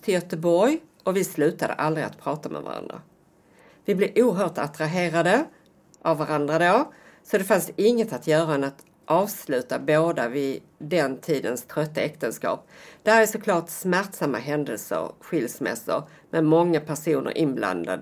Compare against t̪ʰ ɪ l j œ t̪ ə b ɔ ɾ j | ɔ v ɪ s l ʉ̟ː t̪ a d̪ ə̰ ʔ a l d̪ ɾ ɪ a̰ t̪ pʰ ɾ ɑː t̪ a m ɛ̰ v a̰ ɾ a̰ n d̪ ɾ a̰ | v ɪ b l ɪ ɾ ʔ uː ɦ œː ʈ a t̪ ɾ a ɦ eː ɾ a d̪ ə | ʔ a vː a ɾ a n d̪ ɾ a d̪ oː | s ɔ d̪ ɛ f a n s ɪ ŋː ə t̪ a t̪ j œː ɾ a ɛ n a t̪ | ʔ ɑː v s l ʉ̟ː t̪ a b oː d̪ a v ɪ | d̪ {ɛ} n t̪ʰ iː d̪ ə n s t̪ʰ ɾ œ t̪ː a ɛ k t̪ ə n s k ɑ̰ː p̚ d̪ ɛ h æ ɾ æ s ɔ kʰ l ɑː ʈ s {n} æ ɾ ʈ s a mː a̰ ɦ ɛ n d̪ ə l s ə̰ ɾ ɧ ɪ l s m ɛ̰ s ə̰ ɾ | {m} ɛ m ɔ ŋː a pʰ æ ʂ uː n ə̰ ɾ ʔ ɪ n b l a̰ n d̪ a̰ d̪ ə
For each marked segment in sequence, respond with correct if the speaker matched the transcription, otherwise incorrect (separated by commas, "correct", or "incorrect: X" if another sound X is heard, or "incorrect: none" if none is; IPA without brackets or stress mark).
correct, incorrect: m, correct